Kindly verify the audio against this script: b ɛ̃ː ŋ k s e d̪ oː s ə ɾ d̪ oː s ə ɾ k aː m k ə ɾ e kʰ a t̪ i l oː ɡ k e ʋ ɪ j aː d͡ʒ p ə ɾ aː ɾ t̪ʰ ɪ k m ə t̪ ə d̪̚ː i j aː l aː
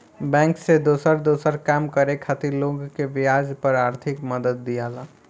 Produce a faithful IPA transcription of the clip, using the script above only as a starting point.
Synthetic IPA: b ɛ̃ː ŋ k s e d̪ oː s ə ɾ d̪ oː s ə ɾ k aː m k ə ɾ e kʰ a t̪ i l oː ɡ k e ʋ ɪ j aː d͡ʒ p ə ɾ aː ɾ t̪ʰ ɪ k m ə d̪ ə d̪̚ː i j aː l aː